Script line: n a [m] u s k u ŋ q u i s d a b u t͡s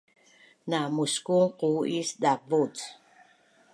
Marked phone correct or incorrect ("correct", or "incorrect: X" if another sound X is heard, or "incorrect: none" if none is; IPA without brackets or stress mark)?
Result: correct